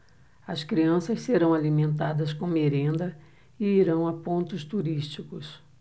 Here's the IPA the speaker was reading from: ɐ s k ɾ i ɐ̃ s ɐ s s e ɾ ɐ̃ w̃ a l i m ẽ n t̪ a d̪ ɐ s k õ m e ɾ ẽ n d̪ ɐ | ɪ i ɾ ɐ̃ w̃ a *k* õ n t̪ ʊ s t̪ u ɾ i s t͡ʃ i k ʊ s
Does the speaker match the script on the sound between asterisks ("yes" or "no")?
no